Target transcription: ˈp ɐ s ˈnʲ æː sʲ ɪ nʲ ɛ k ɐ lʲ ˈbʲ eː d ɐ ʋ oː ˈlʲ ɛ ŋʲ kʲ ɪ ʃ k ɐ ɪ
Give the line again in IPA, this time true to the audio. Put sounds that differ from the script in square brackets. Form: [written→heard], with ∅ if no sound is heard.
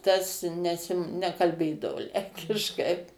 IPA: [ˈp→ˈt] ɐ s ˈnʲ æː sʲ ɪ nʲ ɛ k ɐ lʲ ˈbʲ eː d ɐ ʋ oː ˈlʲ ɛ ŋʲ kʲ ɪ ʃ k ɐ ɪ